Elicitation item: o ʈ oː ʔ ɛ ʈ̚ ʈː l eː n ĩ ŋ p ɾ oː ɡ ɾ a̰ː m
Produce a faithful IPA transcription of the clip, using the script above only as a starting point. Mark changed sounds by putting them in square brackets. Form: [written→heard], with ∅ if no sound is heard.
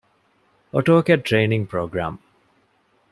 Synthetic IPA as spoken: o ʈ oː [ʔ→k] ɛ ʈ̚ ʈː [l→ɾ] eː n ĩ ŋ p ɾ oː ɡ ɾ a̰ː m